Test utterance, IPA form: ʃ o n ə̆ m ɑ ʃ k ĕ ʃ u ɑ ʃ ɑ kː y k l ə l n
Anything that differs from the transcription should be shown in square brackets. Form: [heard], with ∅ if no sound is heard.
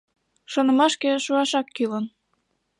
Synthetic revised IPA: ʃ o n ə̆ m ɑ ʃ k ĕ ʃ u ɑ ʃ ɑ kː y [∅] l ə [∅] n